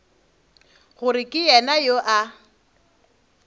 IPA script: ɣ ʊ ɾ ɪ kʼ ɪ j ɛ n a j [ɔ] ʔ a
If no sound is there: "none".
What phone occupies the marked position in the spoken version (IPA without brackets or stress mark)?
o